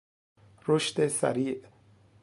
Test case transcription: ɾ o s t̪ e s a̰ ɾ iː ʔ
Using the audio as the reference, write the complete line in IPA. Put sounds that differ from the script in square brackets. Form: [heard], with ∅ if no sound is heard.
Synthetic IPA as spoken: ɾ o [ʃ] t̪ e s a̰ ɾ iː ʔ